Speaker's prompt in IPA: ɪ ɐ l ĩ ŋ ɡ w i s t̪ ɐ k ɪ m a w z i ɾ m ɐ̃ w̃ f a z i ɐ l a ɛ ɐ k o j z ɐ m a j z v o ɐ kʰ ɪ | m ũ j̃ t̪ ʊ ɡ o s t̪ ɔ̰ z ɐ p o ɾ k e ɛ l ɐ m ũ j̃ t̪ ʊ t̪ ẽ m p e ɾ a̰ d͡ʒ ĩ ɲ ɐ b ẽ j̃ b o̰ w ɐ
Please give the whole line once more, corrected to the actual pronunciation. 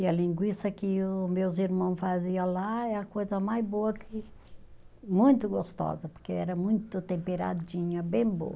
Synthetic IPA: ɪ ɐ l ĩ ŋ ɡ w i s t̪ ɐ k ɪ m e w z i ɾ m ɐ̃ w̃ f a z i ɐ l a ɛ ɐ k o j z ɐ m a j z b o ɐ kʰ ɪ | m ũ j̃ t̪ ʊ ɡ o s t̪ ɔ̰ z ɐ p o ɾ k e ɛ ɾ ɐ m ũ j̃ t̪ ʊ t̪ ẽ m p e ɾ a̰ d͡ʒ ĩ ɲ ɐ b ẽ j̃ b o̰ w ɐ

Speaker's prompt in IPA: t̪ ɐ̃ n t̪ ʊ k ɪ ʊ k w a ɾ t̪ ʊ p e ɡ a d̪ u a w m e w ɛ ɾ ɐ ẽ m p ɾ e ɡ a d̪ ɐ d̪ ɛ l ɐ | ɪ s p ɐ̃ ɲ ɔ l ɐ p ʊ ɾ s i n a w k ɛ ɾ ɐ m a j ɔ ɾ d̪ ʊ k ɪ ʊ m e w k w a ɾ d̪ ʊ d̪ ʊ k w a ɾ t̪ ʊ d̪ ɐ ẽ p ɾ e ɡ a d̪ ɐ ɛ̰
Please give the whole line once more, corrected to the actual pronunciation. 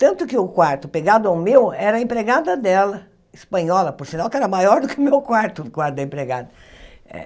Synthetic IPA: t̪ ɐ̃ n t̪ ʊ k ɪ ʊ k w a ɾ t̪ ʊ p e ɡ a d̪ ʊ a w m e w ɛ ɾ ɐ ẽ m p ɾ e ɡ a d̪ ɐ d̪ ɛ l ɐ | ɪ s p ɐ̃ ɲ ɔ l ɐ p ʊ ɾ s i n a w k ɛ ɾ ɐ m a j ɔ ɾ d̪ ʊ k ɪ ʊ m e w k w a ɾ t̪ ʊ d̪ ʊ k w a ɾ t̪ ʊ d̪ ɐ ẽ p ɾ e ɡ a d̪ ɐ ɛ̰

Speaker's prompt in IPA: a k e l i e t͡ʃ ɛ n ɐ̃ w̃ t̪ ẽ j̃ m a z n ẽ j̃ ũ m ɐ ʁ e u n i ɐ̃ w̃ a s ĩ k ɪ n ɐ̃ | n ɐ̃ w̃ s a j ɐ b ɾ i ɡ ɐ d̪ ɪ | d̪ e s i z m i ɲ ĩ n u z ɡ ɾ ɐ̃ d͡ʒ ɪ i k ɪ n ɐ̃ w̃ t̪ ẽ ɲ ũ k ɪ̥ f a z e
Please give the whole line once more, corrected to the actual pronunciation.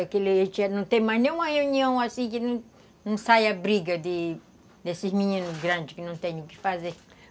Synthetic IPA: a k e l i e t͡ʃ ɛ n ɐ̃ w̃ t̪ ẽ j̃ m a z n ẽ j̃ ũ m ɐ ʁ e u n i ɐ̃ w̃ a s ĩ k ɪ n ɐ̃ | n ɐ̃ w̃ s a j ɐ b ɾ i ɡ ɐ d̪ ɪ | d̪ e s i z m i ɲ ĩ n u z ɡ ɾ ɐ̃ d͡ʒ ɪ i k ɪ n ɐ̃ w̃ t̪ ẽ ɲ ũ k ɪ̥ f a z e

